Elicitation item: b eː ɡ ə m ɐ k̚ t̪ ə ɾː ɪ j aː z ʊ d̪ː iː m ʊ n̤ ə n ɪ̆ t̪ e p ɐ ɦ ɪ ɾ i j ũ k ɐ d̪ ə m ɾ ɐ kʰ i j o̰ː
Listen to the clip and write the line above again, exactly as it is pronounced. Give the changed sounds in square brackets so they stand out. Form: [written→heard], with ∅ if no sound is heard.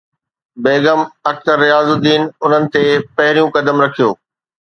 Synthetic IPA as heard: b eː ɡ ə m ɐ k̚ t̪ ə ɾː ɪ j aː z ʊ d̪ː iː [m→n] ʊ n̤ ə n ɪ̆ t̪ e p ɐ ɦ ɪ ɾ i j ũ k ɐ d̪ ə m ɾ ɐ kʰ i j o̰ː